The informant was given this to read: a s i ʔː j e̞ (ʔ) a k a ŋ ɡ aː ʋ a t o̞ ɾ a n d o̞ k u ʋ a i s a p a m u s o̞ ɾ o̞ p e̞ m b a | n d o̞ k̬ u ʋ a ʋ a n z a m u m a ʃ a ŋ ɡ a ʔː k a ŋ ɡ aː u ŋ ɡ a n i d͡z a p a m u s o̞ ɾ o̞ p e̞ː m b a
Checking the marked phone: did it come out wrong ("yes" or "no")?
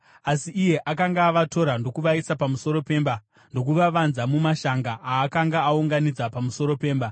no